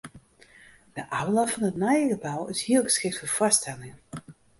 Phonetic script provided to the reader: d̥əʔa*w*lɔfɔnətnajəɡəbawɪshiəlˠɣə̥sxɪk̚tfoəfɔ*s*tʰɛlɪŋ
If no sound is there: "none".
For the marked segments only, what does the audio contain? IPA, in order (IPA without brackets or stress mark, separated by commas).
w, s